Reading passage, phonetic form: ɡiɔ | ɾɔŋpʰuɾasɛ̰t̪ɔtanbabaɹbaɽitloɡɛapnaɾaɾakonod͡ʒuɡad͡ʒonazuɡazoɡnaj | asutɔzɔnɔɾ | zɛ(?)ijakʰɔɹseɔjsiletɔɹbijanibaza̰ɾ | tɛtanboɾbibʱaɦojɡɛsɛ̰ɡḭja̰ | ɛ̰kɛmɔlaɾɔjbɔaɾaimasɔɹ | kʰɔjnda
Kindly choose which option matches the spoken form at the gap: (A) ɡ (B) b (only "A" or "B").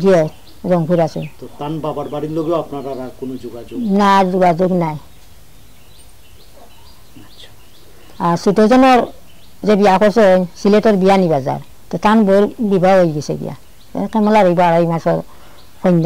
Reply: B